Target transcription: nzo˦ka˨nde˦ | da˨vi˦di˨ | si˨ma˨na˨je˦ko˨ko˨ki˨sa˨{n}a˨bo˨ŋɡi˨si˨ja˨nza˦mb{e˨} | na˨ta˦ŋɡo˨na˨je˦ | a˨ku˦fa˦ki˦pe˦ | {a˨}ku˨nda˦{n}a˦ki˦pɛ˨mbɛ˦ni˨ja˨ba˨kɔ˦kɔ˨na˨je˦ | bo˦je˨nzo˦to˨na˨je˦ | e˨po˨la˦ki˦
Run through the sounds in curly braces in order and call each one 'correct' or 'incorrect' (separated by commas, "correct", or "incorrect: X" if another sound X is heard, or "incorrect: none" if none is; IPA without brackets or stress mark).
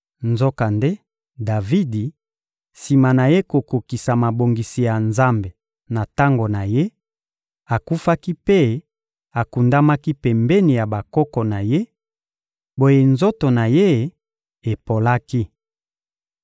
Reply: incorrect: m, correct, correct, incorrect: m